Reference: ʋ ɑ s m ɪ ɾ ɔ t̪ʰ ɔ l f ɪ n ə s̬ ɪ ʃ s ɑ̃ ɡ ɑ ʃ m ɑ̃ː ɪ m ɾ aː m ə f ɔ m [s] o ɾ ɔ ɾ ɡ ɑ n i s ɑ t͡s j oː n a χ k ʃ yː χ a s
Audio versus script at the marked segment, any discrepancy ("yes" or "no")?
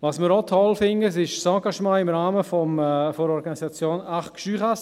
yes